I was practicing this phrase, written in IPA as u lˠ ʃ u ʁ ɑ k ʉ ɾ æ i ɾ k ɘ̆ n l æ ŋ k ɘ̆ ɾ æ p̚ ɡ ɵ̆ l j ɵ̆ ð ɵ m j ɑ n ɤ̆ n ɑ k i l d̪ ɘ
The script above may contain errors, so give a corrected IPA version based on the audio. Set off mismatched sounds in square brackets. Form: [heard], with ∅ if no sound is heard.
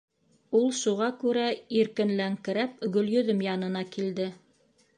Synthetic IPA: u lˠ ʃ u ʁ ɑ k ʉ ɾ æ i ɾ k ɘ̆ n l æ ŋ k ɘ̆ ɾ æ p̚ ɡ ɵ̆ l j ɵ̆ ð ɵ m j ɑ n ɤ̆ n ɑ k i l d̪ ɘ